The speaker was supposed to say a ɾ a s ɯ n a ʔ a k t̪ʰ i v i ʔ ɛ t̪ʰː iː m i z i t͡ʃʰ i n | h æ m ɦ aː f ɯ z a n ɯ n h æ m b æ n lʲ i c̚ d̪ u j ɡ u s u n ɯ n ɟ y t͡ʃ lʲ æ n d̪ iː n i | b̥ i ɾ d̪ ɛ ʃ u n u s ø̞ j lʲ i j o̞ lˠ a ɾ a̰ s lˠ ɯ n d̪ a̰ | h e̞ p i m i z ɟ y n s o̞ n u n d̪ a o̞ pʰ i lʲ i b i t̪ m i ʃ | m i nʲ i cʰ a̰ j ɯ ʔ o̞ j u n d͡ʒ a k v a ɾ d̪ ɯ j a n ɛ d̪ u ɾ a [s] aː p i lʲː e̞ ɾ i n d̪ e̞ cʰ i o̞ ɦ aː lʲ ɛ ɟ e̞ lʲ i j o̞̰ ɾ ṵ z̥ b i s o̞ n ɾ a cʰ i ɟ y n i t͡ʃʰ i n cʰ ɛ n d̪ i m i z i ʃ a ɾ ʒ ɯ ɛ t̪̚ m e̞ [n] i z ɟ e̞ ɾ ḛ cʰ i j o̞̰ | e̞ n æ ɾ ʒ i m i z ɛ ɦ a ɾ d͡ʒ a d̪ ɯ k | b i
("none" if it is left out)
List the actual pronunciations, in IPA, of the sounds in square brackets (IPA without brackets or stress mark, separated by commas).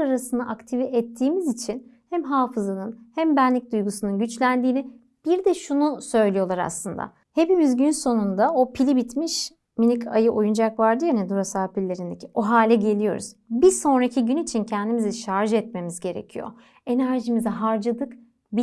s, m